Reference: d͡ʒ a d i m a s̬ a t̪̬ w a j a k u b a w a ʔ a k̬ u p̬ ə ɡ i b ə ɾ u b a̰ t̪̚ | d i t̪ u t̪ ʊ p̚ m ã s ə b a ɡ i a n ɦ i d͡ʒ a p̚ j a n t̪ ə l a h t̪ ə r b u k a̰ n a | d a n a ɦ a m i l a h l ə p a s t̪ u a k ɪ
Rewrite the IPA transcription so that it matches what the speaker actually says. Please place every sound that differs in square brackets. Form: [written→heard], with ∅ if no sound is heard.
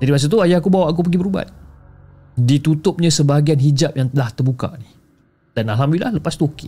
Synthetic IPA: d͡ʒ a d i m a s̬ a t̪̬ [w→u] a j a k u b a w a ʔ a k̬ u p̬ ə ɡ i b ə ɾ u b a̰ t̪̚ | d i t̪ u t̪ ʊ p̚ [m→ɲ] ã s ə b a ɡ i a n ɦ i d͡ʒ a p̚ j a [n→ŋ] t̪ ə l a h t̪ ə r b u k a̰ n [a→i] | d a n a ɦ a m i l a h l ə p a s t̪ u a k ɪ